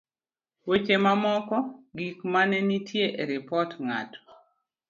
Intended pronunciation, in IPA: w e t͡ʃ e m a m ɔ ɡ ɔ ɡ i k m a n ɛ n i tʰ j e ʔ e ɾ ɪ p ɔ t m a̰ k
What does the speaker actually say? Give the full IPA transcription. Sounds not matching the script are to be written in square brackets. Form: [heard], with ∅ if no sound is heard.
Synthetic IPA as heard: w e t͡ʃ e m a m ɔ [k] ɔ ɡ i k m a n ɛ n i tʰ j e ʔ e ɾ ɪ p ɔ t [ŋ] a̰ [t]